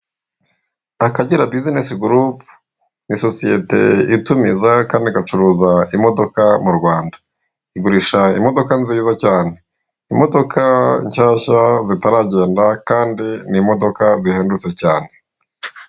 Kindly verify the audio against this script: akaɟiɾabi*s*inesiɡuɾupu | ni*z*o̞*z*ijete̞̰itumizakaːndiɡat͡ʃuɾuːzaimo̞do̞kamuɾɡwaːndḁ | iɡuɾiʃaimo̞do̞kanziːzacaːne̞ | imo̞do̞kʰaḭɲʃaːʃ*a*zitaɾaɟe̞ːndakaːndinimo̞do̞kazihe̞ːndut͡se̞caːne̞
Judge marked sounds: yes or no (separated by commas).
no, no, no, yes